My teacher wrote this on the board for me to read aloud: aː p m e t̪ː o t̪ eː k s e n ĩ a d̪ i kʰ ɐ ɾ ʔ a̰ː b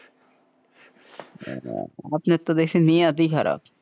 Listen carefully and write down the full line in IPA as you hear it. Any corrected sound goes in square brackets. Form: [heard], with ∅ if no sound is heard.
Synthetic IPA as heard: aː p [n] e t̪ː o [d̪] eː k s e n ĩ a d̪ i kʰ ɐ ɾ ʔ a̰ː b